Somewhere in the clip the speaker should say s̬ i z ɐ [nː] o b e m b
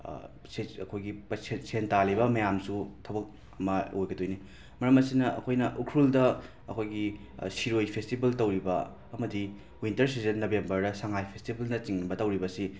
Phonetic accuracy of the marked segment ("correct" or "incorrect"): correct